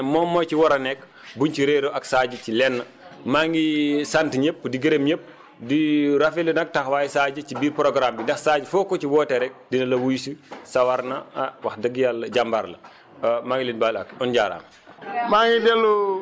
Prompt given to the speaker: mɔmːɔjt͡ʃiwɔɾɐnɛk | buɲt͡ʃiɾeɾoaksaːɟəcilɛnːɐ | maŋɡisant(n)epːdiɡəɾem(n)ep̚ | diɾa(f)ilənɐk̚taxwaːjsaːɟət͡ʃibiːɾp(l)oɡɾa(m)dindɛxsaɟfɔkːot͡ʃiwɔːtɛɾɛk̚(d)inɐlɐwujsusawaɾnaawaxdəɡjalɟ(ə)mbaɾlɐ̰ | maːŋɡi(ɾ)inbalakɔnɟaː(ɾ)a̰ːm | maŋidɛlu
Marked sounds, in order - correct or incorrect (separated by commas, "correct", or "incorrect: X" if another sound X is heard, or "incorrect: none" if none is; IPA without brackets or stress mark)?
incorrect: ɲ, incorrect: ɲ, correct, incorrect: ɾ, correct, correct, incorrect: a, incorrect: l, correct